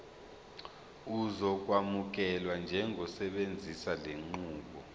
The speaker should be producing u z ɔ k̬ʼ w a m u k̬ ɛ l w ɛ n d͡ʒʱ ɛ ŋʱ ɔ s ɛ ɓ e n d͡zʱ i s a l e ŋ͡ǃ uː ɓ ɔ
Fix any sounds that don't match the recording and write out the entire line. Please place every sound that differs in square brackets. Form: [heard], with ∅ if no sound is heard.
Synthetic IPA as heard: u z ɔ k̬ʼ w a m u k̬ ɛ l w [a] n d͡ʒʱ ɛ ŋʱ ɔ s ɛ ɓ e n d͡zʱ i s a l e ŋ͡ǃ uː ɓ ɔ